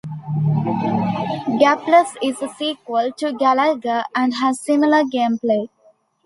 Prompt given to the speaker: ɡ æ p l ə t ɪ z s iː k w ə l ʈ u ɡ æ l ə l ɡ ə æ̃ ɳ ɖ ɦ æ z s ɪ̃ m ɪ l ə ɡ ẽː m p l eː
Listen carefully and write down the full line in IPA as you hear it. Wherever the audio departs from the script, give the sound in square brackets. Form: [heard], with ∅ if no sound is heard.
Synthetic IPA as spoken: ɡ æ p l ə [s] ɪ z s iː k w ə l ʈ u ɡ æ l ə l ɡ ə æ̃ ɳ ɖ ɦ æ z s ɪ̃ m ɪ l ə ɡ ẽː m p l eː